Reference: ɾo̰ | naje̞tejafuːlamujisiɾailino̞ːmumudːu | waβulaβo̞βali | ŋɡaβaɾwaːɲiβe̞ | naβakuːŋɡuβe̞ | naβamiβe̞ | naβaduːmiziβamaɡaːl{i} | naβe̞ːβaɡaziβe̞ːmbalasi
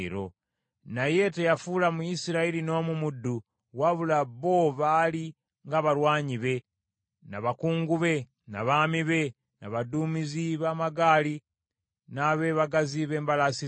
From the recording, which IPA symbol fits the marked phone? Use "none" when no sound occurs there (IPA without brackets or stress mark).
i